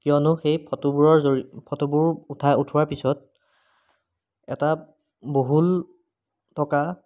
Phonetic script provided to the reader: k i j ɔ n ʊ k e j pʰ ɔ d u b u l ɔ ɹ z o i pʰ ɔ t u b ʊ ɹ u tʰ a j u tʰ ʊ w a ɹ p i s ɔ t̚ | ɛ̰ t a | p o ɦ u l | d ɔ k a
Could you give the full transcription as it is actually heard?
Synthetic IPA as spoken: k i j ɔ n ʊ x e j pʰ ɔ t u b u ɹ ɔ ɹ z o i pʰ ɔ t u b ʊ ɹ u tʰ a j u tʰ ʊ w a ɹ p i s ɔ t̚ | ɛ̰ t a | b o ɦ u l | t ɔ k a

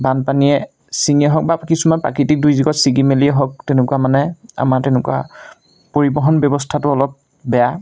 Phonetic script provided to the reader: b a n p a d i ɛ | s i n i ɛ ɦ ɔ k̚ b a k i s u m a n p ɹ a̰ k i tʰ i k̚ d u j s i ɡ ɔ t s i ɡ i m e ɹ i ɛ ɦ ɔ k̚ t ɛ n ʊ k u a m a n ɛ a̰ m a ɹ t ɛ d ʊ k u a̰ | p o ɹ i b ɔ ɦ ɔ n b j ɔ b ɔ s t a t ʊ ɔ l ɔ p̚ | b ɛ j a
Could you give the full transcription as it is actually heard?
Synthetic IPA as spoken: b a n p a n i ɛ | s i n i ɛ ɦ ɔ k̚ b a k i s u m a n p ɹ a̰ k i t i k̚ d u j z i ɡ ɔ t s i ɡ i m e l i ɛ ɦ ɔ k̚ t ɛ n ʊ k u a m a n ɛ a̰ m a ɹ t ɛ n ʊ k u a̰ | p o ɹ i b ɔ ɦ ɔ n b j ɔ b ɔ s tʰ a t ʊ ɔ l ɔ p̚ | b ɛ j a

